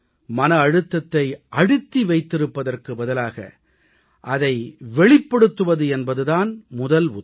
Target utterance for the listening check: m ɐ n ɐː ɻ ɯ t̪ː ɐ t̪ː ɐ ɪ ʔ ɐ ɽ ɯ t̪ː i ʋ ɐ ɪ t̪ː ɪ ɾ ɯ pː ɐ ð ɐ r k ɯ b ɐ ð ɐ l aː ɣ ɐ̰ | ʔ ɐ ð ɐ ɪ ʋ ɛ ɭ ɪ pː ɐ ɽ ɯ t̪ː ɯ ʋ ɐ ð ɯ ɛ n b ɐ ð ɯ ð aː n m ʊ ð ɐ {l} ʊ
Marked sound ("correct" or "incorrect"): correct